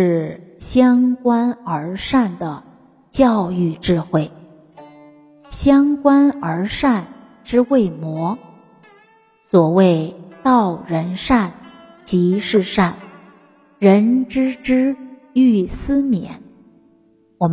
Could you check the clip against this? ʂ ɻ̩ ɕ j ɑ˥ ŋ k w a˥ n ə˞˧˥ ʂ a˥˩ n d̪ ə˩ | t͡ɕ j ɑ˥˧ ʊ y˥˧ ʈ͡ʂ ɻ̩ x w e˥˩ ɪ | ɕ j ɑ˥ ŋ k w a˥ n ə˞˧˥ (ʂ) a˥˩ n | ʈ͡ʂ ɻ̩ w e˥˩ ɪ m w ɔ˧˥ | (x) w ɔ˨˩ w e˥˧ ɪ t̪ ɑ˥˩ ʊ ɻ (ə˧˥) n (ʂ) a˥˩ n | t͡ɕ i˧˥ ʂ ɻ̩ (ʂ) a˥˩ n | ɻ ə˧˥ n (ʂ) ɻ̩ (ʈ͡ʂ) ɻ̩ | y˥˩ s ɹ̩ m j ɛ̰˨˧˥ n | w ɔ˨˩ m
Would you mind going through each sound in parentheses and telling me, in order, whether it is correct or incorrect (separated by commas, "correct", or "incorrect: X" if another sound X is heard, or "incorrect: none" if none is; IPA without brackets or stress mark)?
correct, incorrect: s, correct, correct, correct, incorrect: ʈ͡ʂ, correct